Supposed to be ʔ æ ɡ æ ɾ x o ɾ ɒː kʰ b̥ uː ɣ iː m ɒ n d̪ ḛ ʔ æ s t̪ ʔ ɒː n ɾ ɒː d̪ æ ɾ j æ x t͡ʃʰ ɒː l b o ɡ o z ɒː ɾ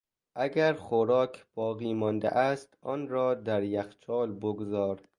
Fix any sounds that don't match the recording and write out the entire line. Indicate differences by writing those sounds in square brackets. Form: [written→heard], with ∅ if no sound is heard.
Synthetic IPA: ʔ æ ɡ æ ɾ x o ɾ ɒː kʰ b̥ [uː→ɒː] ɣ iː m ɒ n d̪ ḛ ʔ æ s t̪ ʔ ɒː n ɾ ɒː d̪ æ ɾ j æ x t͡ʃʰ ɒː l b o ɡ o z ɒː ɾ